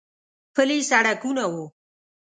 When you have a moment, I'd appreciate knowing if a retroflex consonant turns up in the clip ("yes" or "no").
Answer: yes